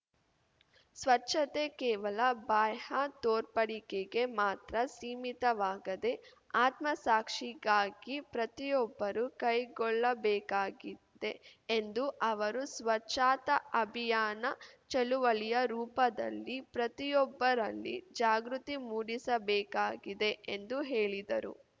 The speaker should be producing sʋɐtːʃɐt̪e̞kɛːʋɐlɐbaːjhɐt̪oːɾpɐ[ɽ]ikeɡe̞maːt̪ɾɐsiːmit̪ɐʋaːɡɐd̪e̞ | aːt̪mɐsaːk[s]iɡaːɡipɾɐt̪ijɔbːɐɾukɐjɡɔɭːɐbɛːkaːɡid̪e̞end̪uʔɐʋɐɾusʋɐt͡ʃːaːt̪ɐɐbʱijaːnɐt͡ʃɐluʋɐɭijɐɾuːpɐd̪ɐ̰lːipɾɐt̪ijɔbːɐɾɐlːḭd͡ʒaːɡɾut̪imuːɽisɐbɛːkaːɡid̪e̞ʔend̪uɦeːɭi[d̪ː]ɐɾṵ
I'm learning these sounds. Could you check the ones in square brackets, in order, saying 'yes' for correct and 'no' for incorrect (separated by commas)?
yes, no, no